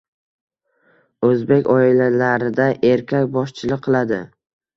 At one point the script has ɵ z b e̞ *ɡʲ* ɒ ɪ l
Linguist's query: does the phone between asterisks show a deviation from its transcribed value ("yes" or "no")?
yes